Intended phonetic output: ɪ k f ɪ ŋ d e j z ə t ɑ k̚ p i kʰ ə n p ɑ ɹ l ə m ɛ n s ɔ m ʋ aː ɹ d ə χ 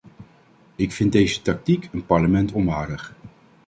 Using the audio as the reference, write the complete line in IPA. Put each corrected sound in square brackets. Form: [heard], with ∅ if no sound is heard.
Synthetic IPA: ɪ k f ɪ [n] d e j z ə t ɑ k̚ [t] i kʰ ə n p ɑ ɹ l ə m ɛ n [t] ɔ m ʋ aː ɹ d ə χ